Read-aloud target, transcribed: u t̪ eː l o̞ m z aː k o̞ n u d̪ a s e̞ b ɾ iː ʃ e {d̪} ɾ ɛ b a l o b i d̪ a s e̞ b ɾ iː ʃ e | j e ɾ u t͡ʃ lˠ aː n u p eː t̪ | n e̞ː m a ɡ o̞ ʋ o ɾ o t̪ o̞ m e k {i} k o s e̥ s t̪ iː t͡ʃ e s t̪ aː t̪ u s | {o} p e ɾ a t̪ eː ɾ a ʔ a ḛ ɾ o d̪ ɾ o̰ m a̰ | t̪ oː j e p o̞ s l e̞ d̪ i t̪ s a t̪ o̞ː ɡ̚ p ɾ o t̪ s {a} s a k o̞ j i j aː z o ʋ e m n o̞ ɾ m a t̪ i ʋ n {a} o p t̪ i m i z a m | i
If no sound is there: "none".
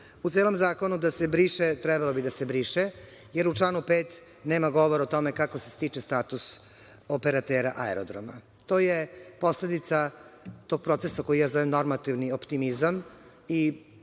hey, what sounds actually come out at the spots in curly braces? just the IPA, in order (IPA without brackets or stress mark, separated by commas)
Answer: t̪, a, o, e, i